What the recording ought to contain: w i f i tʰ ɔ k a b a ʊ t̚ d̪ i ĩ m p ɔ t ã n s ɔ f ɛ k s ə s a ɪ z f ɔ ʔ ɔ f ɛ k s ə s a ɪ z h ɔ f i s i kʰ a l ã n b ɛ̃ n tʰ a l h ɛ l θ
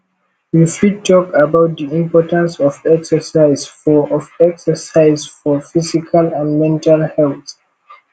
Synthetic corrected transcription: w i f i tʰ ɔ k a b a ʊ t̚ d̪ i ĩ m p ɔ t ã n s ɔ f ɛ k s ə s a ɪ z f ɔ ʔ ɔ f ɛ k s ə s a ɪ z f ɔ f i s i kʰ a l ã n m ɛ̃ n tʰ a l h ɛ l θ